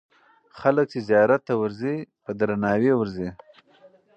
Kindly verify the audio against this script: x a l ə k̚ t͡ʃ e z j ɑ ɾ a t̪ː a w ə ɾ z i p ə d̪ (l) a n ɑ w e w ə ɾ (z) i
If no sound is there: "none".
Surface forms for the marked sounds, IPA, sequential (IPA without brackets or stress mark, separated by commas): ɾ, z